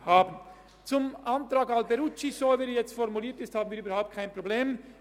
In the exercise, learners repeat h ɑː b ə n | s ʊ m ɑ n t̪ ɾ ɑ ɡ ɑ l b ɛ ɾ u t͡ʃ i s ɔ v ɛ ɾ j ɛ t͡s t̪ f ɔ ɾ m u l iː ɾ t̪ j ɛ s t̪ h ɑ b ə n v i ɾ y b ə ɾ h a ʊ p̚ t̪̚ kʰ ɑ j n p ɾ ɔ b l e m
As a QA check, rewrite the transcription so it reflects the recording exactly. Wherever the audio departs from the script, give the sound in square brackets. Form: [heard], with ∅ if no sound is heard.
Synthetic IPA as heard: h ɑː b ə n | [t͡s] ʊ m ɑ n t̪ ɾ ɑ ɡ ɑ l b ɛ ɾ u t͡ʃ i s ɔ v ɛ ɾ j ɛ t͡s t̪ f ɔ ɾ m u l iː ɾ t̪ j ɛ s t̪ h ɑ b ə n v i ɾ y b ə ɾ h a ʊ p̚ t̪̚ kʰ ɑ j n p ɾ ɔ b l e m

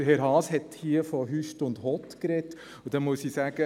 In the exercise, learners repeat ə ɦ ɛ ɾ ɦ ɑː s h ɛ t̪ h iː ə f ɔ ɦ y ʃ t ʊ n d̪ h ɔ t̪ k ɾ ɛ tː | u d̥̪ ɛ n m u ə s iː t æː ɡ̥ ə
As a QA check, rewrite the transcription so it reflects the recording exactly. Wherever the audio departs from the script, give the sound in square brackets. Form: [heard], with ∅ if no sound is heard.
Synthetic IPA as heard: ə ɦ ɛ ɾ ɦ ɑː s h ɛ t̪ h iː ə f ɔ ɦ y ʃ t ʊ n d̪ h ɔ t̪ k ɾ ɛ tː | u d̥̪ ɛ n m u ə s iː [s] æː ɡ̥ ə

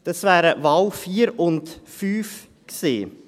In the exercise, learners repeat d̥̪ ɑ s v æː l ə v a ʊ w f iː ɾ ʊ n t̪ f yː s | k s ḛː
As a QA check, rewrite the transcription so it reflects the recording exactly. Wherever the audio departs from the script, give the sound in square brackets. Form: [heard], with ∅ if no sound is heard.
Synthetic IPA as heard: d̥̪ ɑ s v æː [ɾ] ə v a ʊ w f iː ɾ ʊ n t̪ f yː [f] | k s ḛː

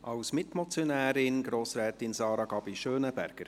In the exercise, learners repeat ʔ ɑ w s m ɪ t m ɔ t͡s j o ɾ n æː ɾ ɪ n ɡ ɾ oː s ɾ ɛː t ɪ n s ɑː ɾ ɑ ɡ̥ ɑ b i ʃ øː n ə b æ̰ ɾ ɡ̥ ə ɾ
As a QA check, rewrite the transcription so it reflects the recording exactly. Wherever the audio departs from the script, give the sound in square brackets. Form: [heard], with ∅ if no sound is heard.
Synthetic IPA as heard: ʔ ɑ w s m ɪ t m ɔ t͡s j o [∅] n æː ɾ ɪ n ɡ ɾ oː s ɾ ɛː t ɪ n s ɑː ɾ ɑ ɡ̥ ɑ b i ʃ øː n ə b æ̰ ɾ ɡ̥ ə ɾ

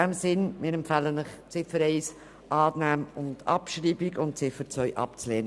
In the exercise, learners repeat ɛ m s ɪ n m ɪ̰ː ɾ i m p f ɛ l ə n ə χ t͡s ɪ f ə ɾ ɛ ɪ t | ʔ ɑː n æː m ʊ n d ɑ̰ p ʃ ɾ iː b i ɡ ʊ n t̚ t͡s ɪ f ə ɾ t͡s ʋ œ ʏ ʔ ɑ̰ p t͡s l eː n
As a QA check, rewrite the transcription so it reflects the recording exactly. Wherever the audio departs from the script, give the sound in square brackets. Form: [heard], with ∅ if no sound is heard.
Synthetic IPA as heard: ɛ m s ɪ n m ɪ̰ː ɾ [ɛ] m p f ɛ l ə n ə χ t͡s ɪ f ə ɾ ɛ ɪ [s] | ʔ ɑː n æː m ʊ n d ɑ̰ p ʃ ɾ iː b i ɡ ʊ n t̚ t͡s ɪ f ə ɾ t͡s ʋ œ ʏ ʔ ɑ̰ p t͡s l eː n

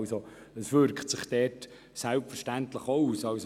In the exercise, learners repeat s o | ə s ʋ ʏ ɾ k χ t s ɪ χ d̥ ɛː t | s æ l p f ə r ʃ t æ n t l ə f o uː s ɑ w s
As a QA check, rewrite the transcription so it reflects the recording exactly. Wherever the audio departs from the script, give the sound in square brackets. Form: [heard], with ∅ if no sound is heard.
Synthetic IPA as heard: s o | ə s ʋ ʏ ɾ k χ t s ɪ χ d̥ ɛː t | s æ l p f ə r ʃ t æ n t l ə [χ] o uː s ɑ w s

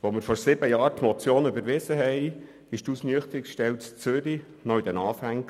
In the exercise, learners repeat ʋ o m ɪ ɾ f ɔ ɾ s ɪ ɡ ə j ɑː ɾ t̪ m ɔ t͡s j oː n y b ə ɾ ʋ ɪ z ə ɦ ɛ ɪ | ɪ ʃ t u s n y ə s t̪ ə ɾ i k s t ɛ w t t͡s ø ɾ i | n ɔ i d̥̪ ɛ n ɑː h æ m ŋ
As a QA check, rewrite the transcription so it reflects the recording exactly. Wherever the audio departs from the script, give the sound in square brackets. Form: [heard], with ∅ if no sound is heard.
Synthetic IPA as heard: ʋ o m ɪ ɾ f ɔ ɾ s ɪ [b] ə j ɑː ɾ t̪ m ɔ t͡s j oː n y b ə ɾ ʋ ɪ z ə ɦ ɛ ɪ | ɪ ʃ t u s n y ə [χ] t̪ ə ɾ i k [ʃ] t ɛ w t t͡s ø ɾ i | n ɔ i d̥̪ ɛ n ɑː [f] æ [∅] ŋ

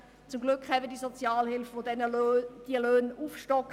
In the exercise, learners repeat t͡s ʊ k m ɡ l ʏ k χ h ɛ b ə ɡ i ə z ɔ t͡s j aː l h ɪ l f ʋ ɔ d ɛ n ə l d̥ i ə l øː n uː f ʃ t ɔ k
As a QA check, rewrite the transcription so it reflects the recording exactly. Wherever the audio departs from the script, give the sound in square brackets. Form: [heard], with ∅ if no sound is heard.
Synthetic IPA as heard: t͡s ʊ [∅] m ɡ l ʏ k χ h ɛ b ə [d] i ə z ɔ t͡s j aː l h ɪ l f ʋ [o] d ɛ n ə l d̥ i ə l øː n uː f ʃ t ɔ k

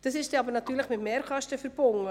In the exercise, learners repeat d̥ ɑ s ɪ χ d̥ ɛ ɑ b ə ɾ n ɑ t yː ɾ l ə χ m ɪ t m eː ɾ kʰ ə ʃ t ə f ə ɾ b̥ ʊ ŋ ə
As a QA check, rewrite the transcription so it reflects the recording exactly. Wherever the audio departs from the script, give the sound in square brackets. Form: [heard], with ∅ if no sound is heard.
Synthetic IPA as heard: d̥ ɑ s ɪ [ʃ] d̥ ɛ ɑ b ə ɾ n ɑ t yː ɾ l ə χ m ɪ t m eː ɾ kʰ [ɑ] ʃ t ə f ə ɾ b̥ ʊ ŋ ə

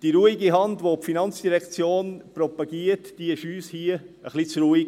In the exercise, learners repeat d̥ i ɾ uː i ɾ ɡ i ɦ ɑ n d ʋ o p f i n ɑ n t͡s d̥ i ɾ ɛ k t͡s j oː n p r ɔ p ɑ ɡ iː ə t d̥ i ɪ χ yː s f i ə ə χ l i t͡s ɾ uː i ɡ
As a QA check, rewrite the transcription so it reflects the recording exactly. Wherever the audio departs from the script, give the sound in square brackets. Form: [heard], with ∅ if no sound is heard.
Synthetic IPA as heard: d̥ i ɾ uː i [∅] ɡ i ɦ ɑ n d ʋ o p f i n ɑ n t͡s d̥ i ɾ ɛ k t͡s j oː n p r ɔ p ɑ ɡ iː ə t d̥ i ɪ [ʃ] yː s [h] i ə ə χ l i t͡s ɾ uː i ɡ

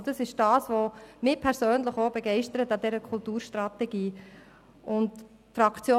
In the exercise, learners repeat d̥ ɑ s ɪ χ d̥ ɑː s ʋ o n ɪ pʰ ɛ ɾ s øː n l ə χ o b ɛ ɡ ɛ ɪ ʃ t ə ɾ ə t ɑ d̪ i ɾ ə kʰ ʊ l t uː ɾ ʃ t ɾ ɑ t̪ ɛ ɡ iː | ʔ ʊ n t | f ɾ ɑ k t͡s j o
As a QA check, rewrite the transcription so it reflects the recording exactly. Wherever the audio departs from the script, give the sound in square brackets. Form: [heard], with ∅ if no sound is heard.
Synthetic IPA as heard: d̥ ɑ s ɪ [ʃ] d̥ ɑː s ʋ o [m] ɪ pʰ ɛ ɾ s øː n l ə χ o b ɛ ɡ ɛ ɪ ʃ t ə ɾ ə t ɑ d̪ [ɛ] ɾ ə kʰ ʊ l t uː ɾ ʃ t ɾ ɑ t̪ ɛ ɡ iː | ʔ ʊ n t | f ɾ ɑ k t͡s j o

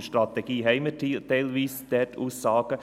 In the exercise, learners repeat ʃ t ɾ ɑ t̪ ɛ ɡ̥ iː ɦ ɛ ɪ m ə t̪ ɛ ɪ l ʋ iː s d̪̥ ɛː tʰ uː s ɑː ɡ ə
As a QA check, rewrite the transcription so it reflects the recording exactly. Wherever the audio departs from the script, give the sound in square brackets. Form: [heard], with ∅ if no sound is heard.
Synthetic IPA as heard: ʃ t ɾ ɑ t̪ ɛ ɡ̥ iː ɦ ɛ ɪ m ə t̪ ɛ ɪ l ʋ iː s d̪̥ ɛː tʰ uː s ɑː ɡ ə

